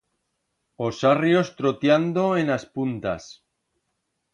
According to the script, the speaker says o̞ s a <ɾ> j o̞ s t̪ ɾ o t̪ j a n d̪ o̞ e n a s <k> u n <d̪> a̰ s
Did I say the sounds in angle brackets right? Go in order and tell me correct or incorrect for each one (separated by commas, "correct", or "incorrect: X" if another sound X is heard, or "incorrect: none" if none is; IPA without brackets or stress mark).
incorrect: r, incorrect: p, incorrect: t̪